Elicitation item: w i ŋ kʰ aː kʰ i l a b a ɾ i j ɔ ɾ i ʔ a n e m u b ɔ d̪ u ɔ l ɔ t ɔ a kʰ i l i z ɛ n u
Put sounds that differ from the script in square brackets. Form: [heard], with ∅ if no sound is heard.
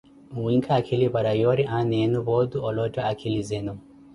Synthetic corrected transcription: w i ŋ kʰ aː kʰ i l [i] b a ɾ [a] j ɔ ɾ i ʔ a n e [n] u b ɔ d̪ u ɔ l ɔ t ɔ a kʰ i l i z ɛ n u